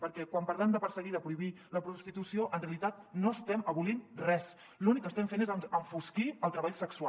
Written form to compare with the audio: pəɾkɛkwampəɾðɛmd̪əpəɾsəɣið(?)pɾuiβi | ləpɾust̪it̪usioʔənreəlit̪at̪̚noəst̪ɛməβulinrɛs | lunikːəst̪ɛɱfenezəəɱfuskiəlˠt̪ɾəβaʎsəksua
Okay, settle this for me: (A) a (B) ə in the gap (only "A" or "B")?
B